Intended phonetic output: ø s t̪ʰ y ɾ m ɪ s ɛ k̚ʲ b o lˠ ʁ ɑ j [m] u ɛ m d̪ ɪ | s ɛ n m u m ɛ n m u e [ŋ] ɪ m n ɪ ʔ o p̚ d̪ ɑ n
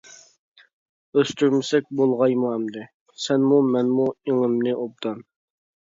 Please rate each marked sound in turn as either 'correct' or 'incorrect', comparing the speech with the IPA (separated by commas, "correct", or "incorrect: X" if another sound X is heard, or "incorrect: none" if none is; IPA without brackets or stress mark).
correct, correct